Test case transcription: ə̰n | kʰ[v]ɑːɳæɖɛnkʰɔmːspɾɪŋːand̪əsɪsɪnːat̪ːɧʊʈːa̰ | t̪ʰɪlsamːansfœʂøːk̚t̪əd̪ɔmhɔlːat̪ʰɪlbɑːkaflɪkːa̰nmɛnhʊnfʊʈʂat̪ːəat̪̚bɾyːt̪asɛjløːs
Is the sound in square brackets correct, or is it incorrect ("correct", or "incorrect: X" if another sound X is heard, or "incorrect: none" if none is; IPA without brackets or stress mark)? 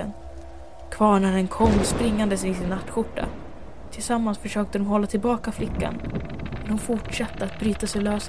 correct